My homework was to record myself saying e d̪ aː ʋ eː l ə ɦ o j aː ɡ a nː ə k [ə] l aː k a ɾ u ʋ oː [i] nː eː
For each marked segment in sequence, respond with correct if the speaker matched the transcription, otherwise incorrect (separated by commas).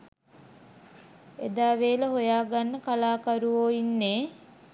incorrect, correct